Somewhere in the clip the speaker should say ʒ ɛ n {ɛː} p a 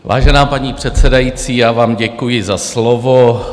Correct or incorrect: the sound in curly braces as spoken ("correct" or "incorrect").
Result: incorrect